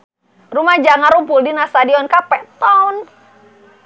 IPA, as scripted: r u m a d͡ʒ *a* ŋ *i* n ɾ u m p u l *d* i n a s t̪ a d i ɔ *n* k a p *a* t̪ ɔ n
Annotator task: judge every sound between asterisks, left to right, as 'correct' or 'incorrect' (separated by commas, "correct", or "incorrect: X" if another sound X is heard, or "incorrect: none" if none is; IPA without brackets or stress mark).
correct, incorrect: a, correct, correct, incorrect: ɛ